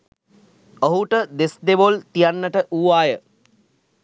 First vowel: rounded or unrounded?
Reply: rounded